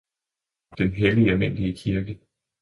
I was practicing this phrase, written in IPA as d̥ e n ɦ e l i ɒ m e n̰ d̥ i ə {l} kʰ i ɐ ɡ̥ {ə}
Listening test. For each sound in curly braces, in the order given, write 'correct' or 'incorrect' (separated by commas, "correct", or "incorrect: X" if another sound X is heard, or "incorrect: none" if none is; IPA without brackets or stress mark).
incorrect: none, correct